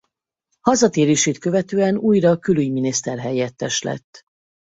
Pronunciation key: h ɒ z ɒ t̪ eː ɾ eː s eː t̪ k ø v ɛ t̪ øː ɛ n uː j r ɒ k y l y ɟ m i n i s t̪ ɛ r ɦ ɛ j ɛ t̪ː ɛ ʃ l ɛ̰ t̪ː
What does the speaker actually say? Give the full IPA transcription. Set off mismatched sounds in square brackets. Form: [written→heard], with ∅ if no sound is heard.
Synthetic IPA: h ɒ z ɒ t̪ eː ɾ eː [s→ʃ] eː t̪ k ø v ɛ t̪ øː ɛ n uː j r ɒ k y l y ɟ m i n i s t̪ ɛ r ɦ ɛ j ɛ t̪ː ɛ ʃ l ɛ̰ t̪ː